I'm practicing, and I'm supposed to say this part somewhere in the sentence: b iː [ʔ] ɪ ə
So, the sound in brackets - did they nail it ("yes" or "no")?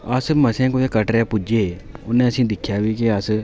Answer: no